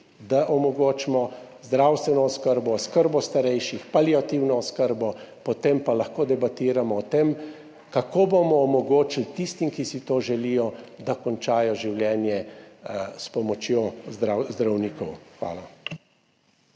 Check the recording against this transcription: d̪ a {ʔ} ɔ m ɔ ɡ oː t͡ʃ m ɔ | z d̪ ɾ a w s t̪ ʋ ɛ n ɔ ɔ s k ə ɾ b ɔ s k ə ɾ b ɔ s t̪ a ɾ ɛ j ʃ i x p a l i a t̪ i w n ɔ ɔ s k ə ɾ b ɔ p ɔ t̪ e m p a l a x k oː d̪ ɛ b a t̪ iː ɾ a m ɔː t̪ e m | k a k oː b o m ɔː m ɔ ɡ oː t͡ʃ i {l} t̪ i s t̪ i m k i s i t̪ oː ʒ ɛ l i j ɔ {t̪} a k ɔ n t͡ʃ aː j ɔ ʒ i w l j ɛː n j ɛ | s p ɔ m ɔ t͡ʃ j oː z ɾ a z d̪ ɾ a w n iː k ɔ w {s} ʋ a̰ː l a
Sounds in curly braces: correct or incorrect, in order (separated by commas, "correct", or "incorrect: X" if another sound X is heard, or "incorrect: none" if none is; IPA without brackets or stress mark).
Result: correct, correct, incorrect: d̪, incorrect: x